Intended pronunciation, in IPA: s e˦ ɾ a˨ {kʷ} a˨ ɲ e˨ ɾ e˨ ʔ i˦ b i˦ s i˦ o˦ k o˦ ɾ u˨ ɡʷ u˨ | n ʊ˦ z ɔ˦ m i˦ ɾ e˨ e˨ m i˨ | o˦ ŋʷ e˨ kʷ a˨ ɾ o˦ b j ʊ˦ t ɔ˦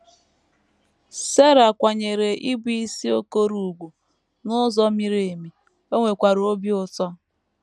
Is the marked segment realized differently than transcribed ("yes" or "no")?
no